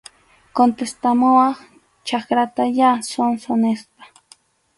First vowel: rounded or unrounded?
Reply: rounded